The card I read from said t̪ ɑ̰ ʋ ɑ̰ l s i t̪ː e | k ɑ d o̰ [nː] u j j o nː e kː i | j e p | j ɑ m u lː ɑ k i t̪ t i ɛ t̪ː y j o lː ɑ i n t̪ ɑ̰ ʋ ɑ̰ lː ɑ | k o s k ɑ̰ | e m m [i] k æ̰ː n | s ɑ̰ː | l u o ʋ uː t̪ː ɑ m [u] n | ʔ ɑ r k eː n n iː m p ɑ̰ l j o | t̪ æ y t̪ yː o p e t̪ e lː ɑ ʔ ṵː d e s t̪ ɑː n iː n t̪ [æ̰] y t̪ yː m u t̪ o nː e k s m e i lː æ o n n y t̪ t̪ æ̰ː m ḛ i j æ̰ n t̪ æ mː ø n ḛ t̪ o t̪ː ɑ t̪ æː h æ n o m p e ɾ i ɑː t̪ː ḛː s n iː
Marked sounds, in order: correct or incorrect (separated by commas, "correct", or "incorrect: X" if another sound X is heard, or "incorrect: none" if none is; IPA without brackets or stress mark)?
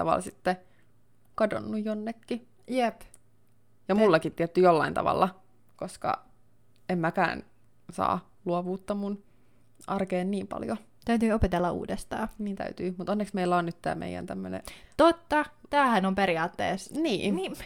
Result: correct, incorrect: æ, correct, correct